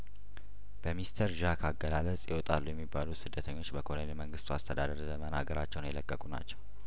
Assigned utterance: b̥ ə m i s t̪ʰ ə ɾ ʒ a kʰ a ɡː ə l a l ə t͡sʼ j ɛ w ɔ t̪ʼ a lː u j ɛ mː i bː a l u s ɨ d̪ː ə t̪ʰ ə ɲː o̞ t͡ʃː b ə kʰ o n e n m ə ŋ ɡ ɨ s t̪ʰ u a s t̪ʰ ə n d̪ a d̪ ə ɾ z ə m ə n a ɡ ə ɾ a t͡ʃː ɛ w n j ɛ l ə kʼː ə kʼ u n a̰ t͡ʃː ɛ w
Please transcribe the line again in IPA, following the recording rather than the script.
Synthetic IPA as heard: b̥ ə m i s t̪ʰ ə ɾ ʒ a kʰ a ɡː ə l a l ə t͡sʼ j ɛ w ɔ t̪ʼ a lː u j ɛ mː i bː a l u s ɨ d̪ː ə t̪ʰ ə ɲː o̞ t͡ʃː b ə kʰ o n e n m ə ŋ ɡ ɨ s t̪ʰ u a s t̪ʰ ə d̪ a d̪ ə ɾ z ə m ə n a ɡ ə ɾ a t͡ʃː ɛ w n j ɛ l ə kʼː ə kʼ u n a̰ t͡ʃː ɛ w